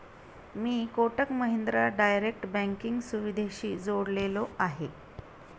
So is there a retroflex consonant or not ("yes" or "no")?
yes